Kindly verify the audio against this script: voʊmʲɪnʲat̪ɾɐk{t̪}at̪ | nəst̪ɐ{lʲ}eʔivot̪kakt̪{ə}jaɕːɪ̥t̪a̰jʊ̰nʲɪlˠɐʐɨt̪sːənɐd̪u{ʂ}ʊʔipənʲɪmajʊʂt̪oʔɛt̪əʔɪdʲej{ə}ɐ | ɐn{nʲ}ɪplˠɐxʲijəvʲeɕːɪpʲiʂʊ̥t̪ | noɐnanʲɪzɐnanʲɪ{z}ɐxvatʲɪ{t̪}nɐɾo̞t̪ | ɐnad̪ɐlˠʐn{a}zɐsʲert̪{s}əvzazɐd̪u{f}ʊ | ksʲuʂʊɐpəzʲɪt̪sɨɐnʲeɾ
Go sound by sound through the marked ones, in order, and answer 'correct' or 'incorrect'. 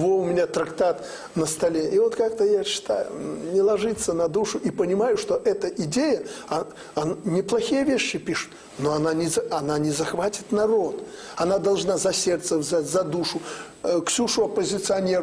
correct, correct, correct, correct, correct, correct, correct, correct, correct, correct, incorrect: ʂ

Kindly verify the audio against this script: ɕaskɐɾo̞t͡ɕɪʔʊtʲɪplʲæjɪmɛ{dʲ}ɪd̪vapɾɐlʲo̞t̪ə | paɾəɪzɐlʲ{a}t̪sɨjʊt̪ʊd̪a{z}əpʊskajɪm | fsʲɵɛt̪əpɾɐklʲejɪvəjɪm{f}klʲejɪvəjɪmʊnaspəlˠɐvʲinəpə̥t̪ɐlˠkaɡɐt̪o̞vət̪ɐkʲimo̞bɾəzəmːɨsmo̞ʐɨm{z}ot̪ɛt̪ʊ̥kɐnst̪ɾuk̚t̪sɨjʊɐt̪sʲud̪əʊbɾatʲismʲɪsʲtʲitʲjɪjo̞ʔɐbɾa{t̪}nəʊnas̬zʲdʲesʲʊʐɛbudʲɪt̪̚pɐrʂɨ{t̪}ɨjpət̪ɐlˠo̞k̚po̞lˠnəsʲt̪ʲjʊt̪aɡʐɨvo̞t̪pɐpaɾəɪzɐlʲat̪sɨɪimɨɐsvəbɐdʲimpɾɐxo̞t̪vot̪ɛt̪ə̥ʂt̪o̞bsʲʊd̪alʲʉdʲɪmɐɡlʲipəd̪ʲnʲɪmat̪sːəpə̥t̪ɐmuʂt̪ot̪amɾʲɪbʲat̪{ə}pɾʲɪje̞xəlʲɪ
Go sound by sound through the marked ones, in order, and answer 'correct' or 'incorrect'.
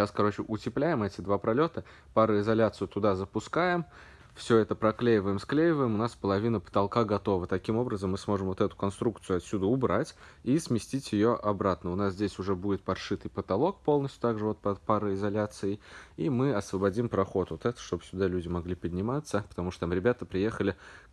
incorrect: tʲ, correct, correct, incorrect: s, incorrect: v, correct, correct, correct

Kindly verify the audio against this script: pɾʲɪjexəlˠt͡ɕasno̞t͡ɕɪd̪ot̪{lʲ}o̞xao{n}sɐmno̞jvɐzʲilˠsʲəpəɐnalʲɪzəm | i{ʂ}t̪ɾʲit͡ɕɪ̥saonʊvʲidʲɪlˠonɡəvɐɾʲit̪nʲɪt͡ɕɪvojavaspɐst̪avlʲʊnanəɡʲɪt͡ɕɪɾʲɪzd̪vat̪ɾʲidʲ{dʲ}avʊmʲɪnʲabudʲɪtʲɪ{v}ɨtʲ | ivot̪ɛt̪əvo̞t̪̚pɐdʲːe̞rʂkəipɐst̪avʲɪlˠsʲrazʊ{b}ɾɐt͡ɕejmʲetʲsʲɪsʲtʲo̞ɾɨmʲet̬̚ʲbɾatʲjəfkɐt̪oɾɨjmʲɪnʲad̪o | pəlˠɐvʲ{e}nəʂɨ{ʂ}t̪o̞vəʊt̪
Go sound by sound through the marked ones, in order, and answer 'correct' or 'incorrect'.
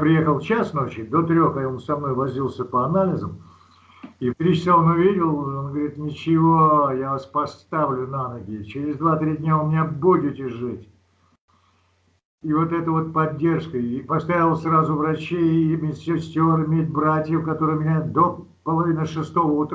incorrect: ɾʲ, correct, incorrect: f, incorrect: nʲ, incorrect: ʐ, incorrect: v, incorrect: i, incorrect: s

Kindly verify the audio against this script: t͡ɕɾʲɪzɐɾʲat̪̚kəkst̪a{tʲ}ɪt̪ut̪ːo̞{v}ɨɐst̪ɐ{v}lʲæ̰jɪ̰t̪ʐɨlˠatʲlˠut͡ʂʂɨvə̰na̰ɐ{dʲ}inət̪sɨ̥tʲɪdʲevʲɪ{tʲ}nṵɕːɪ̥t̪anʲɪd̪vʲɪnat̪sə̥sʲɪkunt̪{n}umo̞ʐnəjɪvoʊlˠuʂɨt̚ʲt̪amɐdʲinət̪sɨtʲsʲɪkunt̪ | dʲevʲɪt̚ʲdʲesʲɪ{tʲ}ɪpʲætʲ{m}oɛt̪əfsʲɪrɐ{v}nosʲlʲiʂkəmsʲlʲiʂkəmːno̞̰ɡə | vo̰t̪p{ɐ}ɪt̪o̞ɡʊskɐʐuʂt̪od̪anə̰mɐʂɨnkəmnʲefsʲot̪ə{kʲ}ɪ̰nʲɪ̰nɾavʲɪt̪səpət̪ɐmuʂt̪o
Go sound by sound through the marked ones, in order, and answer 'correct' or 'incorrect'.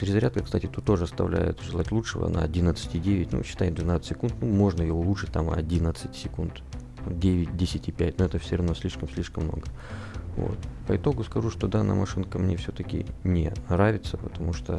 correct, incorrect: ʐ, correct, correct, correct, correct, correct, incorrect: n, correct, incorrect: ə, correct

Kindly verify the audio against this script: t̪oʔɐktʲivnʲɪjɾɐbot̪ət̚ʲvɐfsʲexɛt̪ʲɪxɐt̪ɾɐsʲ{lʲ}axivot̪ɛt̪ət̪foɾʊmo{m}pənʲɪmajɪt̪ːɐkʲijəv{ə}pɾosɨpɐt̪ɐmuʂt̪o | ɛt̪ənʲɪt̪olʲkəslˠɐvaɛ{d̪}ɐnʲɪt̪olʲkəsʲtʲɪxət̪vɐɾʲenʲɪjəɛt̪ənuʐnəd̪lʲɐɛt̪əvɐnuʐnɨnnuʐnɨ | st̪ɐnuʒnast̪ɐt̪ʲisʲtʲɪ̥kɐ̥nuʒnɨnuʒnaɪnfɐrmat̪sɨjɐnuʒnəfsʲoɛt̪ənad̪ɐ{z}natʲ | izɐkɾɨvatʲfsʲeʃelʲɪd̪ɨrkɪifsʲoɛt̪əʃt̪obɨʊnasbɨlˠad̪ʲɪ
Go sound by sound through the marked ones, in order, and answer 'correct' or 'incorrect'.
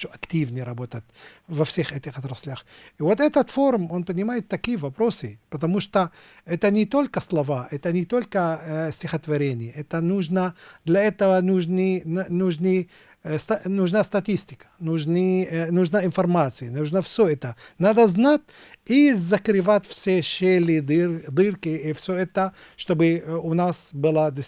correct, incorrect: n, incorrect: ɐ, incorrect: t̪, correct

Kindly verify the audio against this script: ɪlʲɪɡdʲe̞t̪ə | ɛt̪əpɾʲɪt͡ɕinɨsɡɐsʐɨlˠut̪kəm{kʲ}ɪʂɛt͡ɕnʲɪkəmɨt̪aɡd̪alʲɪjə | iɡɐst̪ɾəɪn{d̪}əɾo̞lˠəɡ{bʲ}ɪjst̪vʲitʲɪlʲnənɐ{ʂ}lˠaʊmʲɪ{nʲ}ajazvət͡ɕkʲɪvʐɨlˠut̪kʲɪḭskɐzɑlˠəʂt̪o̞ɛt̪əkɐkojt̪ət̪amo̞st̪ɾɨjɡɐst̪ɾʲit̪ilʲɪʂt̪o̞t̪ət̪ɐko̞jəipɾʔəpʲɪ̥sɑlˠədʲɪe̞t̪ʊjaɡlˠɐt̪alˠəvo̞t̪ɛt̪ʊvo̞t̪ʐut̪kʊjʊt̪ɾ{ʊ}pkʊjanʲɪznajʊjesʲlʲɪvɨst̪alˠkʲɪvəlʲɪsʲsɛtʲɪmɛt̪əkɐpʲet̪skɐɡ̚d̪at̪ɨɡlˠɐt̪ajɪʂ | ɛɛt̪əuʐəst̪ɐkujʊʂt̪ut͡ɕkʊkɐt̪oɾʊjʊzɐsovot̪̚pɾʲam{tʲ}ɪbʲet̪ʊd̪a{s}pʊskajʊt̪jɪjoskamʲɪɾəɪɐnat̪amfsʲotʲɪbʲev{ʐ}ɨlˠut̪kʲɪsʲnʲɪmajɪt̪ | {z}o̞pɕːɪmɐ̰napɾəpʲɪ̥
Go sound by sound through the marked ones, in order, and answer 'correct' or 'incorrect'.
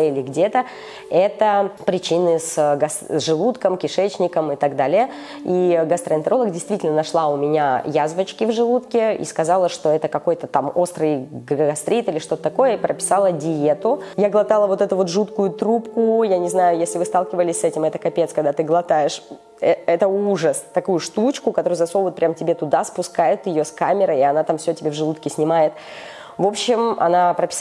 correct, incorrect: t̪, incorrect: dʲ, correct, correct, incorrect: u, correct, correct, correct, incorrect: v

